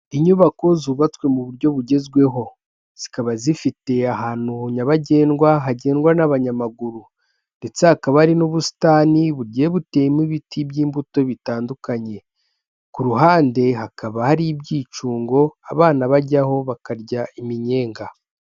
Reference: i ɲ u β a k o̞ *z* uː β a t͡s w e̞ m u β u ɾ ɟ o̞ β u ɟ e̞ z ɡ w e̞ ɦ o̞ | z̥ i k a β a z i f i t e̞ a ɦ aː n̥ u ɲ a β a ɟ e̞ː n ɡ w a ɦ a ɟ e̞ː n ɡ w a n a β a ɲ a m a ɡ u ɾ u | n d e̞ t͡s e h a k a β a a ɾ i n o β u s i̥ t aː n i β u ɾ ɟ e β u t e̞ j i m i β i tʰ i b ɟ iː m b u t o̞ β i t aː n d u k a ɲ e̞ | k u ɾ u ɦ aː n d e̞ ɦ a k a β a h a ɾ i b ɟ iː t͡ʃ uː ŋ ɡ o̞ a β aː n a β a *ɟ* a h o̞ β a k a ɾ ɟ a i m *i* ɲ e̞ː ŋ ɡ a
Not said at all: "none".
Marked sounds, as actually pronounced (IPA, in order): z, ɟ, i

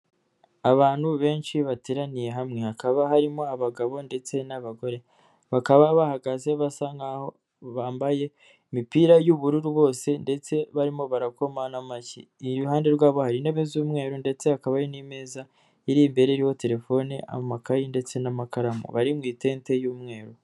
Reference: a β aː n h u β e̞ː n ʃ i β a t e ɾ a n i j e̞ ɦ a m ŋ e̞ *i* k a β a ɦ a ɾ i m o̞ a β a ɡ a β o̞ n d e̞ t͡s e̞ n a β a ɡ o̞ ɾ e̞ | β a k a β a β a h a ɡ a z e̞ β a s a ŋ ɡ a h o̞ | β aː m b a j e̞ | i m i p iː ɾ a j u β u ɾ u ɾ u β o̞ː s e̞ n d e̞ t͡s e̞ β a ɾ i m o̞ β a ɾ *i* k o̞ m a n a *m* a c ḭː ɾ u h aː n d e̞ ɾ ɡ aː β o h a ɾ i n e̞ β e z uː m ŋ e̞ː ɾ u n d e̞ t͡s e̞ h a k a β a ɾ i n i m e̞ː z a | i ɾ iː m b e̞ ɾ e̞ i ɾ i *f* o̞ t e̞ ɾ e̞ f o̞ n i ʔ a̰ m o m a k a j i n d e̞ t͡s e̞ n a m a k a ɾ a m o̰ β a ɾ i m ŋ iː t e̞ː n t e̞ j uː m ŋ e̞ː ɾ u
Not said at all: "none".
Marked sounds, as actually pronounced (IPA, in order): a, a, m, h

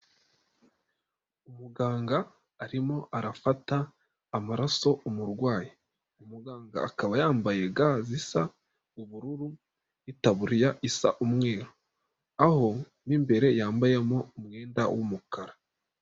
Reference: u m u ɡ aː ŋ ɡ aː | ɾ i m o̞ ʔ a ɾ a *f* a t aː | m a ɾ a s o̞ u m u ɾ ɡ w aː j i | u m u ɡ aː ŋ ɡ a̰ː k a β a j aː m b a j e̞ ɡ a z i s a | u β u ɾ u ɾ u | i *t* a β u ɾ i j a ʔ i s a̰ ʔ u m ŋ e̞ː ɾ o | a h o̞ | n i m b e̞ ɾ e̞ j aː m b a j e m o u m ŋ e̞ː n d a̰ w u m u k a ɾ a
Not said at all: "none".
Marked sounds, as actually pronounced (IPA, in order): f, t

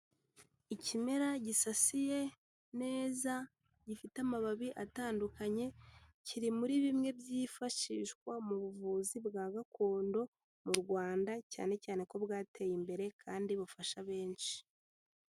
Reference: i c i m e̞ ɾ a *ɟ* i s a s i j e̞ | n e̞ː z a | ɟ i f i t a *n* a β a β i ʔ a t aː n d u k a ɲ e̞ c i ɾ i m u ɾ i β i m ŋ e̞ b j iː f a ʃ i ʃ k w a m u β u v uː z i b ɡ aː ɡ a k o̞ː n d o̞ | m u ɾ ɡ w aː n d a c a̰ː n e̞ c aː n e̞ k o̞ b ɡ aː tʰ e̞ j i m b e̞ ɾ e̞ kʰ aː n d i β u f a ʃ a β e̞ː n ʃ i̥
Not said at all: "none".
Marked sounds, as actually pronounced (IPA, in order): ɟ, m

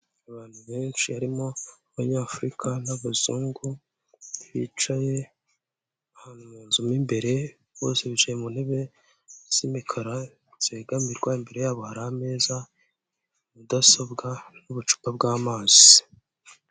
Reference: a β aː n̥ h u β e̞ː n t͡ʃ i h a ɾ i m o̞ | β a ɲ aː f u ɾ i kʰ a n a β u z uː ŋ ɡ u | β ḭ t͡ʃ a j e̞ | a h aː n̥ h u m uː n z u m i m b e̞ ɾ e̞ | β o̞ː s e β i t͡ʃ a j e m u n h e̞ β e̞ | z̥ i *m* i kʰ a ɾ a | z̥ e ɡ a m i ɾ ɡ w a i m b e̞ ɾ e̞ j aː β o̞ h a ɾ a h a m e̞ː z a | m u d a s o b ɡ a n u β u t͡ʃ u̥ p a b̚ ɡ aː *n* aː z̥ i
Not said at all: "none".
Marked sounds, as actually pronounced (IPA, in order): m, m

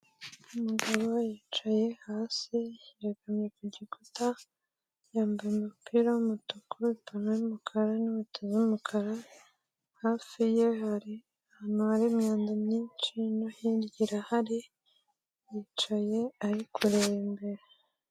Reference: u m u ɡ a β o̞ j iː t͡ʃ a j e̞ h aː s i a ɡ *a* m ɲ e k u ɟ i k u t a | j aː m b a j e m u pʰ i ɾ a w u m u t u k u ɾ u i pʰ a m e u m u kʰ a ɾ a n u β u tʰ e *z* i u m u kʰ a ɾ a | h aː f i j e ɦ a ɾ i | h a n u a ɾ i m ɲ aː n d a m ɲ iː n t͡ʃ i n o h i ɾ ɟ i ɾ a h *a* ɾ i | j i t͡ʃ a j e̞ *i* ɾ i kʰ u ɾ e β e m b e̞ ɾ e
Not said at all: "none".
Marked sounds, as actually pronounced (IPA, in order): a, z, a, a

